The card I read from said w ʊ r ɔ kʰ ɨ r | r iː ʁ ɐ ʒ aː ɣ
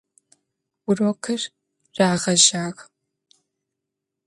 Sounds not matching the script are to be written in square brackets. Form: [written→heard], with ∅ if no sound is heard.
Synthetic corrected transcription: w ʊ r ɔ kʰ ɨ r | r [iː→aː] ʁ ɐ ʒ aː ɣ